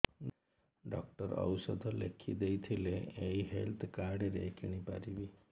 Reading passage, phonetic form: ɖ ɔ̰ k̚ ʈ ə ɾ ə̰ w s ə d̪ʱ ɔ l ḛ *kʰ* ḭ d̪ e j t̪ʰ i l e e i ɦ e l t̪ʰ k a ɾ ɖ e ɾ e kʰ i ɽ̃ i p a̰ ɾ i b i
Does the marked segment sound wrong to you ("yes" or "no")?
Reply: no